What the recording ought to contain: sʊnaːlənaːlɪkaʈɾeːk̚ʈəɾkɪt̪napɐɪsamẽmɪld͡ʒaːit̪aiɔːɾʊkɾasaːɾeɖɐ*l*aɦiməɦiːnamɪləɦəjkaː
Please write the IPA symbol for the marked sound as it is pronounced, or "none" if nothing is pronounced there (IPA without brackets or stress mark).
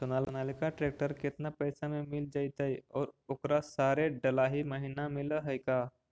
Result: l